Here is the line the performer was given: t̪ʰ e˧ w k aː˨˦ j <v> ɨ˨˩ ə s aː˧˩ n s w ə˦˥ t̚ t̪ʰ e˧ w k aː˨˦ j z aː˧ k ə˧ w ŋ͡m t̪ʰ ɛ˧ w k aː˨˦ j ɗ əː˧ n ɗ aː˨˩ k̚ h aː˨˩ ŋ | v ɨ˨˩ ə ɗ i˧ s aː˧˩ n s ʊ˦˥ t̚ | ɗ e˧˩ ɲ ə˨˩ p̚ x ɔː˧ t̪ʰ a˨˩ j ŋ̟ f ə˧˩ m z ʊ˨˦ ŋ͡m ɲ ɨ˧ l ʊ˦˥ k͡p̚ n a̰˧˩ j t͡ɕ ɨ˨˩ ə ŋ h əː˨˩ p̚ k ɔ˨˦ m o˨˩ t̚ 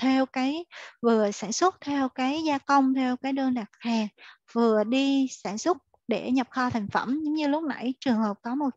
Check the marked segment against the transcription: correct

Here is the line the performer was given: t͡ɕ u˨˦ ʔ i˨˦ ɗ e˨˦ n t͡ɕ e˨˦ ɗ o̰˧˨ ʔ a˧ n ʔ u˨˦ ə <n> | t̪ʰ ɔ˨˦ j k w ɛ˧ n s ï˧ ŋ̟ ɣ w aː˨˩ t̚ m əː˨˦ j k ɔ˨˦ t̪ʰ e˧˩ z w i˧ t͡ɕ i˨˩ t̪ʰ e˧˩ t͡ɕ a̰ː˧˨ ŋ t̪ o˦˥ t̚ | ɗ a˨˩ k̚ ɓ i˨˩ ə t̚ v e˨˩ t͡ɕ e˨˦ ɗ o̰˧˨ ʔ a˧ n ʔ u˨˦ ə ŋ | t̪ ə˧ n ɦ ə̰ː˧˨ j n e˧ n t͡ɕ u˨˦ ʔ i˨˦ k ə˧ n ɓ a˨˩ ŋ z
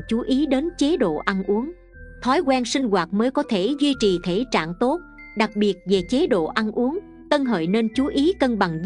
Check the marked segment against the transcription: incorrect: ŋ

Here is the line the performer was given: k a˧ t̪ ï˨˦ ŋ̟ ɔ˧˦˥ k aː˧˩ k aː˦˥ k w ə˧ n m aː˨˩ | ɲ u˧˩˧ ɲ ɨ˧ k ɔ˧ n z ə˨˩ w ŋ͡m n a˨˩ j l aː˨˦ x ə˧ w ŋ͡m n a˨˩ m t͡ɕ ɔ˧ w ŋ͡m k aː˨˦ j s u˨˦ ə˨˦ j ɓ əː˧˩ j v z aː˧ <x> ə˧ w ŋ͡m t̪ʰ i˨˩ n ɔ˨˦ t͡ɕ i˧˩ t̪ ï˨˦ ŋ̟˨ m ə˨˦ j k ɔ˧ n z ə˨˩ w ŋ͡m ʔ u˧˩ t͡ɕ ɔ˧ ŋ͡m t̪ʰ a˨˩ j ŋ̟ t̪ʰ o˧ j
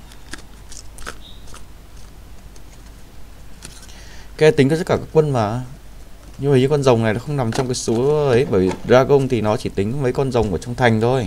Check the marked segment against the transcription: incorrect: ɣ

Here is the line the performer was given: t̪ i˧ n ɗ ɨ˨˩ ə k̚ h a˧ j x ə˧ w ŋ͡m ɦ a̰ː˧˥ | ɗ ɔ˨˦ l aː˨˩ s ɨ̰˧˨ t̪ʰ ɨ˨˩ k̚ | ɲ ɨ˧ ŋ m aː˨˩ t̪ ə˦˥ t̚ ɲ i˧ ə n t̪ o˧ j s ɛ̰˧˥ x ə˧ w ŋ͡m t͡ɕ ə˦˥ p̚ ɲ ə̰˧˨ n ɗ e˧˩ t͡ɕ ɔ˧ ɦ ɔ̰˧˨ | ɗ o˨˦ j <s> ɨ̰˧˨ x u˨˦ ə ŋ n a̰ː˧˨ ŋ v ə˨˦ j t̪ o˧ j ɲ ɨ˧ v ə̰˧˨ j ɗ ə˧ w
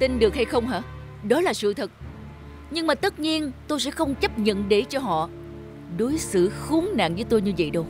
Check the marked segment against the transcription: correct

